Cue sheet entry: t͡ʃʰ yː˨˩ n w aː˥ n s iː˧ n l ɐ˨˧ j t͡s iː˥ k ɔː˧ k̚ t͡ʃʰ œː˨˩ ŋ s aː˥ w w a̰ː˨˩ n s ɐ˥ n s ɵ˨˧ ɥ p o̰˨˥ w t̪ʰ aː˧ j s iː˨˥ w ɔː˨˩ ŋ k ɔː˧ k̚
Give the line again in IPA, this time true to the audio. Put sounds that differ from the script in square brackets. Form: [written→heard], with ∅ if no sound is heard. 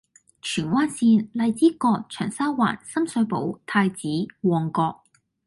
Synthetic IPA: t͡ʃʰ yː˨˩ n w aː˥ n s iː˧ n l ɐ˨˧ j t͡s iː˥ k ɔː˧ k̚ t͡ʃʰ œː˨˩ ŋ s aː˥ w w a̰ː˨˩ n s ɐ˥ [n→m] s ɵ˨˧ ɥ p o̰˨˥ w t̪ʰ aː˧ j [s→t͡s] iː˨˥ w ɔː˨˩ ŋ k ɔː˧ k̚